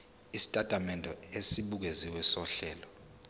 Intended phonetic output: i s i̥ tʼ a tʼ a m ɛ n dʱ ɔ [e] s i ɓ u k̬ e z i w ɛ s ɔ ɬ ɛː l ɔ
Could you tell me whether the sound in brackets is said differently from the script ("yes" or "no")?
no